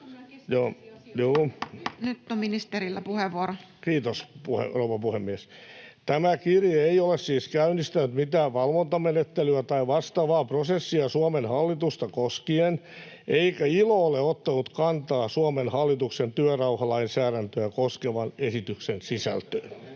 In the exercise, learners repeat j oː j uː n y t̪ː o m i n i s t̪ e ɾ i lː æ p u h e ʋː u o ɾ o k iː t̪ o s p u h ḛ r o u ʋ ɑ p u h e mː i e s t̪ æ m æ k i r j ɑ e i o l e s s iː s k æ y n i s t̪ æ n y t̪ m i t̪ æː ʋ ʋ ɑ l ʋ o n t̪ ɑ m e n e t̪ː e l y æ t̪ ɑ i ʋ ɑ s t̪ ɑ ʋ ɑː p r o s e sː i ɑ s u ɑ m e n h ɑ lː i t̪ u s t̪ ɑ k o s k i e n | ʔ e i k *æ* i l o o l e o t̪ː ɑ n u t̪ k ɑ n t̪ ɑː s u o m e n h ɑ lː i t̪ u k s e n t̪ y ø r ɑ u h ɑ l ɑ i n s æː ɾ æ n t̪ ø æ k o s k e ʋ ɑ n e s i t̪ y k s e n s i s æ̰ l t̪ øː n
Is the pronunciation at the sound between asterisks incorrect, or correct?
correct